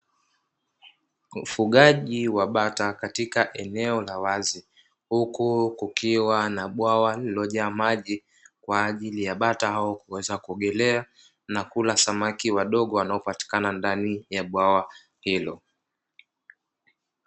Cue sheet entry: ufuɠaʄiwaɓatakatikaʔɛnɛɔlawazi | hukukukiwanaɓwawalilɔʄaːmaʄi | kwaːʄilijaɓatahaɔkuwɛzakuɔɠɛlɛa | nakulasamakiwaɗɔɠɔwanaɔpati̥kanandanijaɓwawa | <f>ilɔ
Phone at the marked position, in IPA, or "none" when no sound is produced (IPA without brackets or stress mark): h